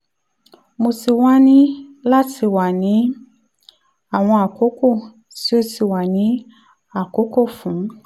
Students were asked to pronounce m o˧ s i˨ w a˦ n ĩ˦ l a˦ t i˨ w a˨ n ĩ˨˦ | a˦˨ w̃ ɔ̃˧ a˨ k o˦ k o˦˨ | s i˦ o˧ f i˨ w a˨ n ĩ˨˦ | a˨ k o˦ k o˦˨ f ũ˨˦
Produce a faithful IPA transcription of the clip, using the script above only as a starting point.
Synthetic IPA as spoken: m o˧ s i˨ w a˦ n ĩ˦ l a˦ t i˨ w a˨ n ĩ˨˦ | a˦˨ w̃ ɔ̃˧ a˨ k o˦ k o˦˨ | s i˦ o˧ s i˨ w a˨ n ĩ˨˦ | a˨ k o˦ k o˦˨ f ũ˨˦

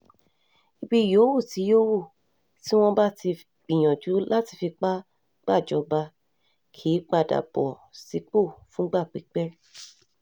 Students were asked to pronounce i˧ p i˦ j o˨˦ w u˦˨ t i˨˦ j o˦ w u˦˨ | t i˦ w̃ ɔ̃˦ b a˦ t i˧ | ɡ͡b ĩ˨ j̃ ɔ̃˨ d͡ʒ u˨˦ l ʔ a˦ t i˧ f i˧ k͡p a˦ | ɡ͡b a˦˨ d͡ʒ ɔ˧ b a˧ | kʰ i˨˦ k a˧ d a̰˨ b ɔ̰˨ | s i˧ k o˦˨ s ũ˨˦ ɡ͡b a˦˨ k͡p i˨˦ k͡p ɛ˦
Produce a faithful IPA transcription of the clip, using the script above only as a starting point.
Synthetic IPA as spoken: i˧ b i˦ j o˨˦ w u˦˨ t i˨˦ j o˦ w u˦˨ | t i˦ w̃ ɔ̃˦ b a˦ t i˧ | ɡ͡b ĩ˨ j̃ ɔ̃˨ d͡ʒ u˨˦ l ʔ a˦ t i˧ f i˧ k͡p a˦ | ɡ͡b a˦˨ d͡ʒ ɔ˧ b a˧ | kʰ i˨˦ k͡p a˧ d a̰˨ b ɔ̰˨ | s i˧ k͡p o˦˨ f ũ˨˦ ɡ͡b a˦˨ k͡p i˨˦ k͡p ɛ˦

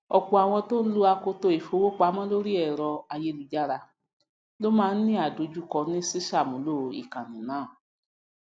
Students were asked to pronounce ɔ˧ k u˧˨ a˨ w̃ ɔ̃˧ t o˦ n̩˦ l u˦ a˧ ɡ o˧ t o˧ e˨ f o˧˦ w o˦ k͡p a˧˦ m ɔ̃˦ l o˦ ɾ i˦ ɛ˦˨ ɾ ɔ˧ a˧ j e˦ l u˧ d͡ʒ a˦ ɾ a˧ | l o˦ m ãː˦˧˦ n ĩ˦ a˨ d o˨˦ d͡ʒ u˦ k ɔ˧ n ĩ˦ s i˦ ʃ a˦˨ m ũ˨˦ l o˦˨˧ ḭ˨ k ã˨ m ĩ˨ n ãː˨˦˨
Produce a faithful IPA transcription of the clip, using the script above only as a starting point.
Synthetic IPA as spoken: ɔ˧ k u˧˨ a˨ w̃ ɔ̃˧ t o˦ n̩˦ l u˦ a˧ k o˧ t o˧ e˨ f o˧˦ w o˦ k͡p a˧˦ m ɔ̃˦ l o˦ ɾ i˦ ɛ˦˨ ɾ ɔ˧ a˧ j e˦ l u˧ d͡ʒ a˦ ɾ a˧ | l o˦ m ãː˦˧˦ n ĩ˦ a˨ d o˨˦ d͡ʒ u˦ k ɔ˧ n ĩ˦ s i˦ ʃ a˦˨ m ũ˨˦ l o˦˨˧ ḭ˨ k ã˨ n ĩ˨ n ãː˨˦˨

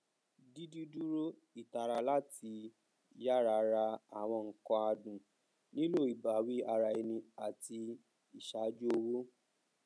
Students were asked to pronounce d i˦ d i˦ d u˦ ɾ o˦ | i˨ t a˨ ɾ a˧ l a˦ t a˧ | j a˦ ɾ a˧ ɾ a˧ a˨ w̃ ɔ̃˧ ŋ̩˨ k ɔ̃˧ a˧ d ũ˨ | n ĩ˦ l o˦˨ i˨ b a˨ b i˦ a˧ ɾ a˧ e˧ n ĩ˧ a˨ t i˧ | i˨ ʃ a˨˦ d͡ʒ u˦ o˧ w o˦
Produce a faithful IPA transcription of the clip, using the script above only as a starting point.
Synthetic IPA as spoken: d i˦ d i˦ d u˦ ɾ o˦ | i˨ t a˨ ɾ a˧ l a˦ t i˧ | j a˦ ɾ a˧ ɾ a˧ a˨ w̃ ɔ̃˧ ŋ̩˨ k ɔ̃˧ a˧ d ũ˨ | n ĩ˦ l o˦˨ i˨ b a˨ w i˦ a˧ ɾ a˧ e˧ n ĩ˧ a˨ t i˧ | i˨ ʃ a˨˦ d͡ʒ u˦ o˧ w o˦

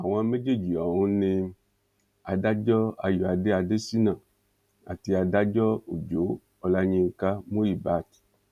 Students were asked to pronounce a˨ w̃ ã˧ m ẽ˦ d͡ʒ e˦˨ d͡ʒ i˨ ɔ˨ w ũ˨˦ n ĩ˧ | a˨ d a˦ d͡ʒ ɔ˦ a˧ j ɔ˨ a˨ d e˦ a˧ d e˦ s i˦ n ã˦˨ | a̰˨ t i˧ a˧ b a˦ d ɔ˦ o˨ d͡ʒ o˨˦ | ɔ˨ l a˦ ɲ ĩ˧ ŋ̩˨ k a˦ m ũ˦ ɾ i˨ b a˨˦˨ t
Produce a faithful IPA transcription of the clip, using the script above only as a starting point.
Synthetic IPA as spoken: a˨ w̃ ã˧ m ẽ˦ d͡ʒ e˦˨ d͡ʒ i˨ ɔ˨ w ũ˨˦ n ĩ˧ | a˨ d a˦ d͡ʒ ɔ˦ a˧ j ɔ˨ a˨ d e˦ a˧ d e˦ s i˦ n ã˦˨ | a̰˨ t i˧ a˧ d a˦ d͡ʒ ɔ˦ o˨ d͡ʒ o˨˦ | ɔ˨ l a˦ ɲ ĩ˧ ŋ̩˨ k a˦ m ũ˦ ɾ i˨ b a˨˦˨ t

